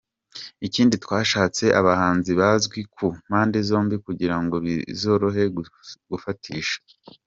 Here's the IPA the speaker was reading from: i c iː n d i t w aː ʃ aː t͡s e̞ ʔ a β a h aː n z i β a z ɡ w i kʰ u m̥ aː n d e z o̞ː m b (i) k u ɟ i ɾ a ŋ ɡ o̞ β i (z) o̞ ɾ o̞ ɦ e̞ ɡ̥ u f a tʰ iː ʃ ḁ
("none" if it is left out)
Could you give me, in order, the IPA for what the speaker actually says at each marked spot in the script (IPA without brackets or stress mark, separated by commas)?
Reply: i, z